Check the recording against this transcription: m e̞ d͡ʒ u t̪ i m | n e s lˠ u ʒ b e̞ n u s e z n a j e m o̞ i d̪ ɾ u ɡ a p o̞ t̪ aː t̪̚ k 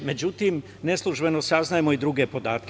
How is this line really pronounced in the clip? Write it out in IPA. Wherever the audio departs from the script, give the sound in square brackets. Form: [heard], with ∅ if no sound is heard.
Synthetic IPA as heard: m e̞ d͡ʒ u t̪ i m | n e s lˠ u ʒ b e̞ n [o] s [a] z n a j e m o̞ i d̪ ɾ u ɡ [e] p o̞ [d̪] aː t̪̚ k